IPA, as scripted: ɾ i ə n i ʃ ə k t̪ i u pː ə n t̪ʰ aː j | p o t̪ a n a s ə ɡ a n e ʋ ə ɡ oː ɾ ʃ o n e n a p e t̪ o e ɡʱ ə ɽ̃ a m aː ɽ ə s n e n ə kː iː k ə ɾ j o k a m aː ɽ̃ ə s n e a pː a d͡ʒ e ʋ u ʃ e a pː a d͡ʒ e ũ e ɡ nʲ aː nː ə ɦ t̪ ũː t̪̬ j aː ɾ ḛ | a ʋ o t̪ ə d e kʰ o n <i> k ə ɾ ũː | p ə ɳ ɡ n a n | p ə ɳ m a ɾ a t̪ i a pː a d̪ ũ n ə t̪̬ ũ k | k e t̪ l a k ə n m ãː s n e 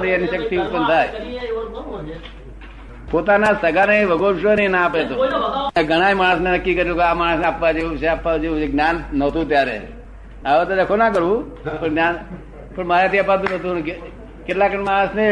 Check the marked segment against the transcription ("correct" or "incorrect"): incorrect